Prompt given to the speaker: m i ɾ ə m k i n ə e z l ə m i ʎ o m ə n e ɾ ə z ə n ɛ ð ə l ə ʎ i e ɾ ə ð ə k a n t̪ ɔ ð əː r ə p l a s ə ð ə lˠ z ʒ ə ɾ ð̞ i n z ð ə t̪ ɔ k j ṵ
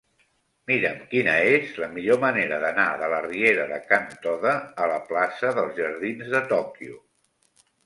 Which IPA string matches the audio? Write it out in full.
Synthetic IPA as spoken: m i ɾ ə m k i n ə e z l ə m i ʎ o m ə n e ɾ ə ð ə n a ð ə l ə r i e ɾ ə ð ə k a n t̪ ɔ ð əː l ə p l a s ə ð ə lˠ z ʒ ə ɾ ð̞ i n z ð ə t̪ ɔ k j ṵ